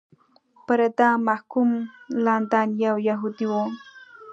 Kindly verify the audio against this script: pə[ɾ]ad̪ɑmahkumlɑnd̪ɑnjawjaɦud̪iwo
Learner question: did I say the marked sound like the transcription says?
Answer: yes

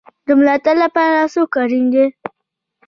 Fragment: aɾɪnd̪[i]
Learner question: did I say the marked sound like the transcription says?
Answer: no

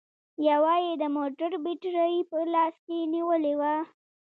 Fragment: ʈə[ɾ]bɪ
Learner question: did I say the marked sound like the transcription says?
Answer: yes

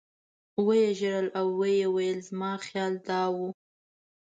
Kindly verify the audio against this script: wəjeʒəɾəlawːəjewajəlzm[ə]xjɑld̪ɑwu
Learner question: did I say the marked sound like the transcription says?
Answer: no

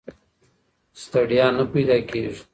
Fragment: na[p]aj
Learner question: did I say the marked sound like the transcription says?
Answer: yes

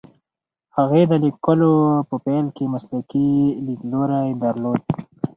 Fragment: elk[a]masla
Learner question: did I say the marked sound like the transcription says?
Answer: no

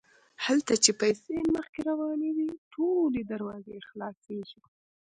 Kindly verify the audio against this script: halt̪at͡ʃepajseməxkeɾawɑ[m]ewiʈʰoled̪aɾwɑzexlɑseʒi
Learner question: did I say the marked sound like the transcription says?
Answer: no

